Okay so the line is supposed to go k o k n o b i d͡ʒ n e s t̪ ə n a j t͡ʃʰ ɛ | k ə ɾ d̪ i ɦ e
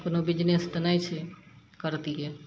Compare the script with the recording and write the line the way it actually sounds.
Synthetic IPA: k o n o b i d͡ʒ n e s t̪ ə n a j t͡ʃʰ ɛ | k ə ɾ t̪ i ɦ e

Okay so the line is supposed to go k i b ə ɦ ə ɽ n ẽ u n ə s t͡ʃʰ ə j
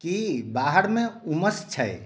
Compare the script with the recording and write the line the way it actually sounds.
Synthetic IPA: k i b a ɦ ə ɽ m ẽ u m ə s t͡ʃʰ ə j

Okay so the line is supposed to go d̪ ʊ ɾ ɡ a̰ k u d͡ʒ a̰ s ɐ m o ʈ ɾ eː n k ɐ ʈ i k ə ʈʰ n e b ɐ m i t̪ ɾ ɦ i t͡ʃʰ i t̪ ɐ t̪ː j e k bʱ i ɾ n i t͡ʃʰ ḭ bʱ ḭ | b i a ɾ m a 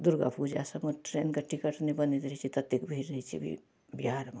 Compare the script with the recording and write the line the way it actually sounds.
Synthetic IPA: d̪ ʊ ɾ ɡ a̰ p u d͡ʒ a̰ s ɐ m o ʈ ɾ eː n k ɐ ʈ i k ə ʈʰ n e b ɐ n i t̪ ɾ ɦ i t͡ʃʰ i t̪ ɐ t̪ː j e k bʱ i ɾ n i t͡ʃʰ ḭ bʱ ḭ | b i a ɾ m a

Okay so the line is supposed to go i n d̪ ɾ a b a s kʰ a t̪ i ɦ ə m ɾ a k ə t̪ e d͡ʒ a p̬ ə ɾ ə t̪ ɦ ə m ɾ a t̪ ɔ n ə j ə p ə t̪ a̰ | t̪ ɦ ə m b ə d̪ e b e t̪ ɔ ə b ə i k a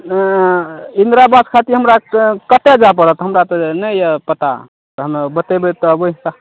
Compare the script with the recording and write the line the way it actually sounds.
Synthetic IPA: i n d̪ ɾ a b a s kʰ a t̪ i ɦ ə m ɾ a k ə t̪ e d͡ʒ a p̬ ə ɾ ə t̪ ɦ ə m ɾ a t̪ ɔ n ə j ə p ə t̪ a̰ | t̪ ɦ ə m b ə t̪ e b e t̪ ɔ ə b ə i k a

